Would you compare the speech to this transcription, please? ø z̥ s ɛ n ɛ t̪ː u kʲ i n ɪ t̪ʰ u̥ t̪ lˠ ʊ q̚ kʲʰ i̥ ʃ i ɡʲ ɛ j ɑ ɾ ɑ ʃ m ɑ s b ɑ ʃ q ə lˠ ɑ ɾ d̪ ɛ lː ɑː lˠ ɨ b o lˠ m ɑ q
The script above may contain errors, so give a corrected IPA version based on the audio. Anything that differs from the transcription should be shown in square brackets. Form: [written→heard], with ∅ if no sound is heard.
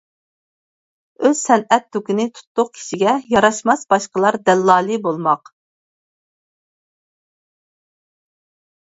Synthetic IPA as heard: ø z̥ s ɛ n ɛ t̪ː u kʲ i n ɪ t̪ʰ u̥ t̪ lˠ ʊ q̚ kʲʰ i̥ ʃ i ɡʲ ɛ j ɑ ɾ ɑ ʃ m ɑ s b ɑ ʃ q ə lˠ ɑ ɾ d̪ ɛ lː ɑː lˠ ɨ b o lˠ m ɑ q